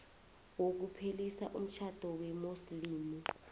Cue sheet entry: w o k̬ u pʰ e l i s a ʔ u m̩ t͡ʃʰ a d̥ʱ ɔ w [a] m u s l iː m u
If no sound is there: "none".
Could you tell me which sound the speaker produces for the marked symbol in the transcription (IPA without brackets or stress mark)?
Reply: ɛ